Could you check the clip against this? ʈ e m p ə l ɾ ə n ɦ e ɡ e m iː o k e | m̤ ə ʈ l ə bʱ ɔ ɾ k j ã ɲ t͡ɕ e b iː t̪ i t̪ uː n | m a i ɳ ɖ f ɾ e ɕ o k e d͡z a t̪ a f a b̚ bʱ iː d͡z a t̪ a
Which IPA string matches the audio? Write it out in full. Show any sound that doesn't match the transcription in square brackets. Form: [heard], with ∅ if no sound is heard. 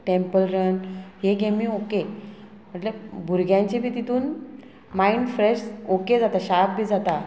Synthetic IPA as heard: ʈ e m p ə l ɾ ə n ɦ e ɡ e m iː o k e | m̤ ə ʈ l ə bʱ [u] ɾ [ɡ] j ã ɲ t͡ɕ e b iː t̪ i t̪ uː n | m a i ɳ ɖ f ɾ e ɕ o k e d͡z a t̪ a [ɕ] a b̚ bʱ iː d͡z a t̪ a